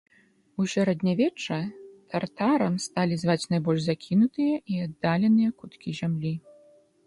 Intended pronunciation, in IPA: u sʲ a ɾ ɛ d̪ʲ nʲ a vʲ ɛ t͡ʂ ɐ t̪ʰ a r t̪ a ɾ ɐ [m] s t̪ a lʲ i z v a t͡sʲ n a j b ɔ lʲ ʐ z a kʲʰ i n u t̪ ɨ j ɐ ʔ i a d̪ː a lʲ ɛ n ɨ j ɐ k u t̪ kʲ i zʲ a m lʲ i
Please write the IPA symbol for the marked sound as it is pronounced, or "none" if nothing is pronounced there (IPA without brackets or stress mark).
m